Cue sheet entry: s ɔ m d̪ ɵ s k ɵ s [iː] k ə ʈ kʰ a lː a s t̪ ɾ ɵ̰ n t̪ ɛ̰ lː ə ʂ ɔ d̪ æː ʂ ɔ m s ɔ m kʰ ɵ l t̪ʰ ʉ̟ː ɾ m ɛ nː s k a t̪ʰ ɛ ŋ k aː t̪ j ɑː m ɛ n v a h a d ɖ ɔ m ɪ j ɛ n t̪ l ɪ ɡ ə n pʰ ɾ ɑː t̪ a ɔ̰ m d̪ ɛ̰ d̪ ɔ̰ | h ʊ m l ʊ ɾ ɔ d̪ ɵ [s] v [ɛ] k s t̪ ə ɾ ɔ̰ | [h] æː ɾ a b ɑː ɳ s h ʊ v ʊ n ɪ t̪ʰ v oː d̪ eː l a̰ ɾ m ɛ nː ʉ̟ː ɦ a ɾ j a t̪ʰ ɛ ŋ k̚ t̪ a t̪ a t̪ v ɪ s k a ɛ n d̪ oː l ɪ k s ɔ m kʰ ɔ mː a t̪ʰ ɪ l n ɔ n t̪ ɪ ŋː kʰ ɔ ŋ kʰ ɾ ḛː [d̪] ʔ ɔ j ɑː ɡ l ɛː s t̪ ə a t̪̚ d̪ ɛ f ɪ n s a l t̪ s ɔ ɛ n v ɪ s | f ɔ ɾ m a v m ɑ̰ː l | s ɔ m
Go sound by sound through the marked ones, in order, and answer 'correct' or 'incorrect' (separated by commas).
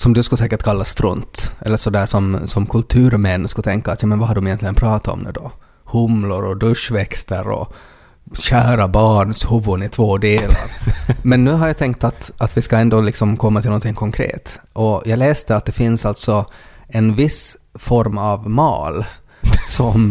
incorrect, incorrect, correct, incorrect, incorrect